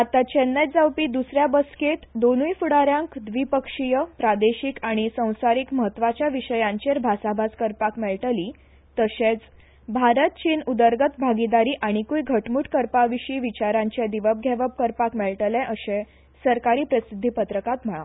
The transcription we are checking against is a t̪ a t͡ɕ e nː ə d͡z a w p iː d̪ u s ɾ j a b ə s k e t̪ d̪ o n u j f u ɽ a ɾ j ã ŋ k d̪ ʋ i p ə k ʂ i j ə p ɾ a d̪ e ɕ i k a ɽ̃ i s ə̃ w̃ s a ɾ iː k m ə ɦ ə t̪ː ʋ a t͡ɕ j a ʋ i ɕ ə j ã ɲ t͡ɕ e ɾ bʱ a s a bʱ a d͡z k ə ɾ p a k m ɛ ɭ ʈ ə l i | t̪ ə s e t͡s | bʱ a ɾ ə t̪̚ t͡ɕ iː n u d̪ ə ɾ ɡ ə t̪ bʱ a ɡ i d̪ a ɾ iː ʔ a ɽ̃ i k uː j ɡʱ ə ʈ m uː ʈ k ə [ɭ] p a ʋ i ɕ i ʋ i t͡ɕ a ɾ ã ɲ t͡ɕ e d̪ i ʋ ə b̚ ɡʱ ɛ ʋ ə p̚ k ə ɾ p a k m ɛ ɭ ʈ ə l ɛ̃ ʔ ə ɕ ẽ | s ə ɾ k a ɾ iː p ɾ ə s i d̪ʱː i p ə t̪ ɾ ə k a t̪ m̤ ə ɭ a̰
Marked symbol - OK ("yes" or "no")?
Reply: no